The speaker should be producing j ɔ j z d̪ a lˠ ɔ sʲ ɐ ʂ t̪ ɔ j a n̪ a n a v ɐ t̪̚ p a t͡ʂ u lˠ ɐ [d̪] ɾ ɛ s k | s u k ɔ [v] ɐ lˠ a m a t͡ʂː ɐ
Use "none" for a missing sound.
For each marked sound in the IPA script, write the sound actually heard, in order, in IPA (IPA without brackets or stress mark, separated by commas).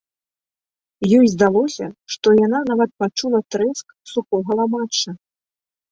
t̪, ɣ